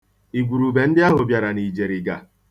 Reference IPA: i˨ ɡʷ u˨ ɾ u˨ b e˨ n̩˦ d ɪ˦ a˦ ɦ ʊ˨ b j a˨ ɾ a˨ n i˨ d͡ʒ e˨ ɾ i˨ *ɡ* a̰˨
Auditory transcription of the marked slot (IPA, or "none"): ɡ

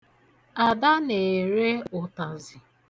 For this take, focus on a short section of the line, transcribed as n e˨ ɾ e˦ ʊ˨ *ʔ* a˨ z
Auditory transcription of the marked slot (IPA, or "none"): t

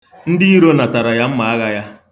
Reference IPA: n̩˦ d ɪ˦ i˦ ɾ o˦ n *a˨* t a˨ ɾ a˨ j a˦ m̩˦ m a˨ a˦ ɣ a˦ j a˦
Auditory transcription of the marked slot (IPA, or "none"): a˨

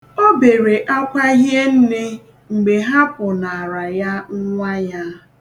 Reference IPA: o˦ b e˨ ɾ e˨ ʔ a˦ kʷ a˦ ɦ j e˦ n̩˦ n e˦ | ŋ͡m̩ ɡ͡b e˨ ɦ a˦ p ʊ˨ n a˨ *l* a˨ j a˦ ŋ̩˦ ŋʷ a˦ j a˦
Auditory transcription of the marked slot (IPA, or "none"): ɾ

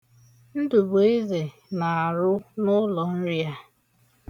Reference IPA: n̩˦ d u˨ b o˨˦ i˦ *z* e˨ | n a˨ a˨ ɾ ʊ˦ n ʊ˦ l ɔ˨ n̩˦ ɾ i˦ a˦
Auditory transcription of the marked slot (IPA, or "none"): z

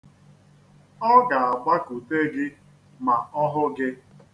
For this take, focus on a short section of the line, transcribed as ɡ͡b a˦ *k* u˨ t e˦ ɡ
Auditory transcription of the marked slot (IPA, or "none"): k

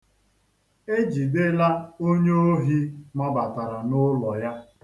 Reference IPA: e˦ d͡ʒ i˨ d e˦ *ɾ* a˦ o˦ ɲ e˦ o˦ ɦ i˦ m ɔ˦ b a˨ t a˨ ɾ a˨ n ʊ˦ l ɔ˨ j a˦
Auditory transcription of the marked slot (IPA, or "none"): l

